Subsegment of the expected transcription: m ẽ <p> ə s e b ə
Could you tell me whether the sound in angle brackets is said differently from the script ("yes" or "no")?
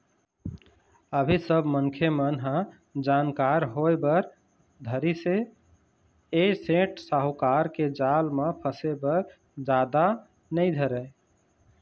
yes